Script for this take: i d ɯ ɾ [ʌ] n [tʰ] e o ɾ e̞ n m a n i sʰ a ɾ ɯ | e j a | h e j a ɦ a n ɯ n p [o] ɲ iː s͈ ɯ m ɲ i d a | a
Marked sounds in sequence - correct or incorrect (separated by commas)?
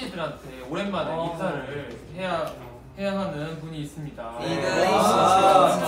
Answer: incorrect, correct, incorrect